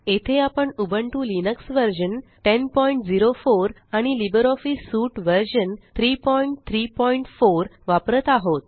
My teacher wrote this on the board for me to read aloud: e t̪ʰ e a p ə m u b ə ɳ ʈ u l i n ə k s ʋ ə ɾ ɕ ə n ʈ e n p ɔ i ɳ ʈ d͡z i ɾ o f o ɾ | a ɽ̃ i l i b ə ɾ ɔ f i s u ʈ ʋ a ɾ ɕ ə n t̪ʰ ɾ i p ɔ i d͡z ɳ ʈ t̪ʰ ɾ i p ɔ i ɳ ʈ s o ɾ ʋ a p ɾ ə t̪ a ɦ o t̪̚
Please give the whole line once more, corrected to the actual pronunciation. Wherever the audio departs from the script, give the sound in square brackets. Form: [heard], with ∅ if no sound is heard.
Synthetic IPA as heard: e t̪ʰ e a p ə [ɳ] u b ə ɳ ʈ u l i n ə k s ʋ ə ɾ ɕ ə n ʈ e n p ɔ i ɳ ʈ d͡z i ɾ o f o ɾ | a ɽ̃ i l i b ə ɾ ɔ f i s u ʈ ʋ [ə] ɾ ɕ ə n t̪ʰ ɾ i p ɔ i [∅] ɳ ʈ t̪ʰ ɾ i p ɔ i ɳ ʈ [f] o ɾ ʋ a p ɾ ə t̪ a ɦ o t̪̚